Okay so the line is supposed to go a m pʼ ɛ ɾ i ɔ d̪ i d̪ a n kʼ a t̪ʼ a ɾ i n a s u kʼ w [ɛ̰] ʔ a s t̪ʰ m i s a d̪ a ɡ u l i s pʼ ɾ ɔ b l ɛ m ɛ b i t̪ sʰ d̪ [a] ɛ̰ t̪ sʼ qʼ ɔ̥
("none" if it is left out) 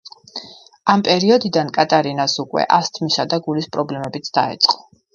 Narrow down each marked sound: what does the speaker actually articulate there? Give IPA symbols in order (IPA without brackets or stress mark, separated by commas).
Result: ɛ̰, a